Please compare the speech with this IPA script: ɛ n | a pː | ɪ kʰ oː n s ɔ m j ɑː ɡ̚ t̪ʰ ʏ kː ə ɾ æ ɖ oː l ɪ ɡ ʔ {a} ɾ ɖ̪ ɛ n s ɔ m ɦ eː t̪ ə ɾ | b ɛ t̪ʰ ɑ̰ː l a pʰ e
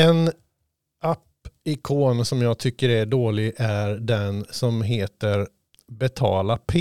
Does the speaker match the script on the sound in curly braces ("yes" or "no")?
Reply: no